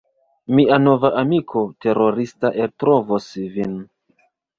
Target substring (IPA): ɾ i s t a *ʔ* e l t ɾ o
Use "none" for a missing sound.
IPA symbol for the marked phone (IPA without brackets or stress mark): ʔ